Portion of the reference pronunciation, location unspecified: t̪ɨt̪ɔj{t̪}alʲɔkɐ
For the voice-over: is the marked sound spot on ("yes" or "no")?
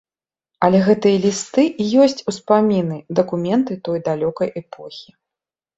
no